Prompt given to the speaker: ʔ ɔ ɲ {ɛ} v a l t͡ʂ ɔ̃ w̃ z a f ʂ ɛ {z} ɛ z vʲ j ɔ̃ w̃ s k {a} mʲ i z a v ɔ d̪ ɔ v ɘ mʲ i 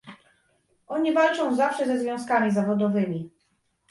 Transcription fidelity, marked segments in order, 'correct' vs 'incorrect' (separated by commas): incorrect, correct, correct